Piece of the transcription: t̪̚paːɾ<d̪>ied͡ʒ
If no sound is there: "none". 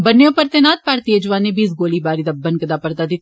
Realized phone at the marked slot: t̪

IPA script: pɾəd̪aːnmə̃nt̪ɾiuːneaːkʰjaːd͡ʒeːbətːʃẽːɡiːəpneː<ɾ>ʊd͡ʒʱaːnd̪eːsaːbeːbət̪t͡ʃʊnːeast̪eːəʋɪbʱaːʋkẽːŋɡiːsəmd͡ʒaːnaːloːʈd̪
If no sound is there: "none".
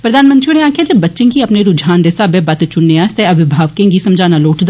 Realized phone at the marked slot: ɾ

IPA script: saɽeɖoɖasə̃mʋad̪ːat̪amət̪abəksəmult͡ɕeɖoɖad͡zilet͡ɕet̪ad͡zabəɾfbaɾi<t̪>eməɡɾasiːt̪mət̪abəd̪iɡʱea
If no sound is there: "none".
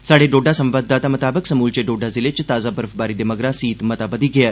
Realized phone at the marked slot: d̪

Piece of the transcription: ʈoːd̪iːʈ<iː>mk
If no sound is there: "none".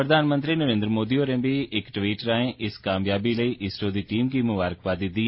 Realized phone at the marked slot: iː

